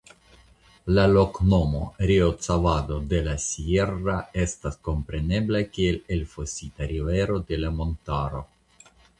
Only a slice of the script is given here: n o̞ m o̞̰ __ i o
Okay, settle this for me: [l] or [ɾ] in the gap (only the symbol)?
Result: ɾ